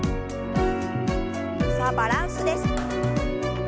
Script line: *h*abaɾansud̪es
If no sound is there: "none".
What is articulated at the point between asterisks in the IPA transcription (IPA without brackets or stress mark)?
s